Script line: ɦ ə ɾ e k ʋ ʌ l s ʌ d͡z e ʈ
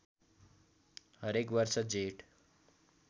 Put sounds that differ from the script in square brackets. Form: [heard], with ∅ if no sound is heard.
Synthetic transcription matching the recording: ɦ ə ɾ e k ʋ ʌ [ɾ] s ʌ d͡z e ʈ